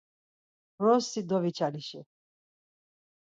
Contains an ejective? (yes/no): no